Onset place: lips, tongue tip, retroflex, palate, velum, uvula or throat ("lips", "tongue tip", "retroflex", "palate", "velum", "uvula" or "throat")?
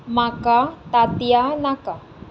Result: lips